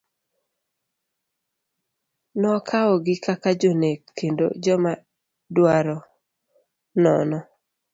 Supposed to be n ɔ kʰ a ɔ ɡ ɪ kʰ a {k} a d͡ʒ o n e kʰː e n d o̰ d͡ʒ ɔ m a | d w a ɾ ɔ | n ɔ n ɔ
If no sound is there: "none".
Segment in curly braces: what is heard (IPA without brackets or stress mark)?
k